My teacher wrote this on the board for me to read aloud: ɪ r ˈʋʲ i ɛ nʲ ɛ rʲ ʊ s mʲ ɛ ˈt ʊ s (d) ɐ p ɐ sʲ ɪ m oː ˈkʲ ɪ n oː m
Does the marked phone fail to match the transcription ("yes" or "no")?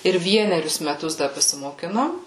no